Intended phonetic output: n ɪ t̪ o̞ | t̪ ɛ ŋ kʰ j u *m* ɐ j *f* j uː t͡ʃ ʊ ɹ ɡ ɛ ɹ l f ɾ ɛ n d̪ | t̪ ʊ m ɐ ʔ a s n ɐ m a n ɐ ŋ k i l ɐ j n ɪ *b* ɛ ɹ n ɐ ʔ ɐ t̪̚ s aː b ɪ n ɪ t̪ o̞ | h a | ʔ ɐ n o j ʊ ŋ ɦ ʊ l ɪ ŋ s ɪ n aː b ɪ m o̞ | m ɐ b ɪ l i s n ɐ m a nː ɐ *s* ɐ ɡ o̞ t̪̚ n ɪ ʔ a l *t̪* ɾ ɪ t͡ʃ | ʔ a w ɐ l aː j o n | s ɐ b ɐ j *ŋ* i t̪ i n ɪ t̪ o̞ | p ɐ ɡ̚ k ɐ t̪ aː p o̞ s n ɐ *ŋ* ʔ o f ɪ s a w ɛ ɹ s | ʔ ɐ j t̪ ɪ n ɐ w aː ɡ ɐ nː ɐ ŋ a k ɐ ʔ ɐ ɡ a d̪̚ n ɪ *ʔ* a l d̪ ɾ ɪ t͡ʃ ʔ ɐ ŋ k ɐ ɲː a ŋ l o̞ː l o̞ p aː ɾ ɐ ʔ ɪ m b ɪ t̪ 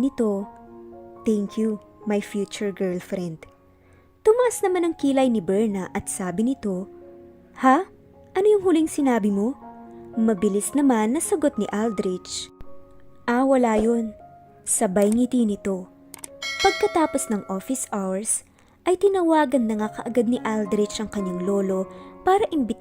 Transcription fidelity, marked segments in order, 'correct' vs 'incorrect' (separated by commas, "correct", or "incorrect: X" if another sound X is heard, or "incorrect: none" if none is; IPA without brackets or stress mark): correct, correct, correct, correct, incorrect: d̪, correct, correct, correct